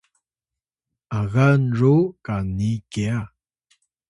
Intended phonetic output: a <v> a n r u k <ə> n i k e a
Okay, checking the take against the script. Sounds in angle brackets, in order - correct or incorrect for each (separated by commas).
incorrect, incorrect